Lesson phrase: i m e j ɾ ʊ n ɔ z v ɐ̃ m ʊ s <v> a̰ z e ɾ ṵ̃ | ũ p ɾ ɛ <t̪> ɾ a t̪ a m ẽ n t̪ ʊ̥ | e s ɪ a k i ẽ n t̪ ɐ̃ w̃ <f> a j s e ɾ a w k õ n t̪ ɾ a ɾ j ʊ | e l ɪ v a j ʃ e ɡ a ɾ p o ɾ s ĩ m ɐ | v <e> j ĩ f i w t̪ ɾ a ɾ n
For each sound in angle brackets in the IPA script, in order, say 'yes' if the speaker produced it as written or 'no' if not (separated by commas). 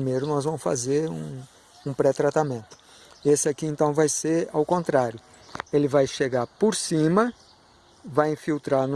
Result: no, yes, no, no